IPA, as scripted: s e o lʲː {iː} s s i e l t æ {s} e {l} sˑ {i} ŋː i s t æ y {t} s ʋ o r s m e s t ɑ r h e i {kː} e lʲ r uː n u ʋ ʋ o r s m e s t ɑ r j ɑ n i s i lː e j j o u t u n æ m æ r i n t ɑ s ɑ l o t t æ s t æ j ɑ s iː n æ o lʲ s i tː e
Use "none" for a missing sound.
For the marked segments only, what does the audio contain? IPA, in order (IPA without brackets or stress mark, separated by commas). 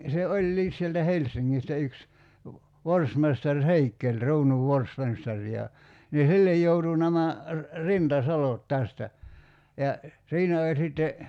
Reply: iː, h, l, i, k, kː